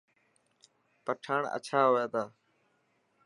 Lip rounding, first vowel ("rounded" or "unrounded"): unrounded